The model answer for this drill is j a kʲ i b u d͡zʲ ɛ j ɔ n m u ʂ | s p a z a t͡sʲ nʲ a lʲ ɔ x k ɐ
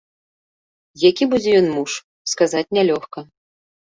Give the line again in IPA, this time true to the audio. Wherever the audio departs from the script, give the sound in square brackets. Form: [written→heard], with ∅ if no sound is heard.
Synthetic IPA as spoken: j a kʲ i b u d͡zʲ ɛ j ɔ n m u ʂ | s [p→k] a z a t͡sʲ nʲ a lʲ ɔ x k ɐ